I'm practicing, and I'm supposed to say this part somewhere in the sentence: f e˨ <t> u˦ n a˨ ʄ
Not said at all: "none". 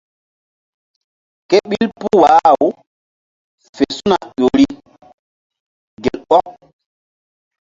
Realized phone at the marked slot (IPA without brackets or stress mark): s